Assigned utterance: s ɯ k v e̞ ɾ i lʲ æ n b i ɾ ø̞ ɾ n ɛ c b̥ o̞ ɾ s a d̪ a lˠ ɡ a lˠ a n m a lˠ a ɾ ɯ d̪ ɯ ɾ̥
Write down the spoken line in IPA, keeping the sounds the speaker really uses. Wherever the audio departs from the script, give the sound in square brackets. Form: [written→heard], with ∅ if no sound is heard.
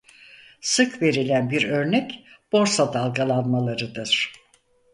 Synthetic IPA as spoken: s ɯ k v e̞ ɾ i lʲ æ n b i ɾ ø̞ ɾ n ɛ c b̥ o̞ ɾ s a d̪ a lˠ ɡ a lˠ a n m a lˠ a ɾ ɯ d̪ ɯ ɾ̥